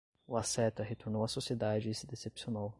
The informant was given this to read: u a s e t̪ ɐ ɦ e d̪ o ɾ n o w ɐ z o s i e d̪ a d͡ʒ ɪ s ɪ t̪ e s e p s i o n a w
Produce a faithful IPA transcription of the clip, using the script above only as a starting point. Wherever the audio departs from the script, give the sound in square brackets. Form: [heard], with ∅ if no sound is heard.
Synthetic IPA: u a s [ɛ] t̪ ɐ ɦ e [t̪] o ɾ n o w ɐ [s] o s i e d̪ a d͡ʒ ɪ s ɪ [d̪] e s e p s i o n a w